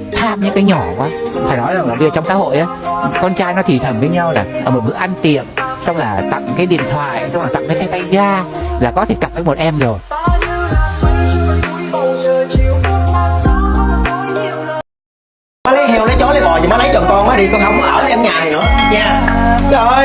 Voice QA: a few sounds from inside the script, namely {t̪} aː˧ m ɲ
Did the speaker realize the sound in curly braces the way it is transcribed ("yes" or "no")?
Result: no